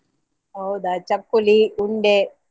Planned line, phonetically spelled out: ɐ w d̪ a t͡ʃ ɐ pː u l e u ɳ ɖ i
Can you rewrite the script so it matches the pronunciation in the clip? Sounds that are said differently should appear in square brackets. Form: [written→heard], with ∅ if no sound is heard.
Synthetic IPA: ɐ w d̪ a t͡ʃ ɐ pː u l [e→i] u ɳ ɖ [i→e]